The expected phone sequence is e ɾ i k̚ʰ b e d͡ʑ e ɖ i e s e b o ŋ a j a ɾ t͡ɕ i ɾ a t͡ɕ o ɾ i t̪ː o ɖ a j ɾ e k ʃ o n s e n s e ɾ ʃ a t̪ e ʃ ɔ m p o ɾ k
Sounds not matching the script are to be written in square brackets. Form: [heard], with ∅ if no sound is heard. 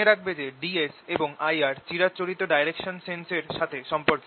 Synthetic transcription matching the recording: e ɾ [a] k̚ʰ b e d͡ʑ e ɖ i e s e b o ŋ a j a ɾ t͡ɕ i ɾ a t͡ɕ o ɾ i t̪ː o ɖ a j ɾ e k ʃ o n s e n s e ɾ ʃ a [t̪ʰ] e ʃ ɔ m p o ɾ k